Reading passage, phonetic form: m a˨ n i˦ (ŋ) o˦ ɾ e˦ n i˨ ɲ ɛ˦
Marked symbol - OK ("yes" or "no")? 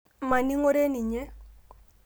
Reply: yes